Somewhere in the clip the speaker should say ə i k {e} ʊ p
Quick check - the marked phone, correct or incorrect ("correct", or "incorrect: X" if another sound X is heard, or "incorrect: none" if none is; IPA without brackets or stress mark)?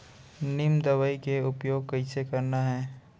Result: correct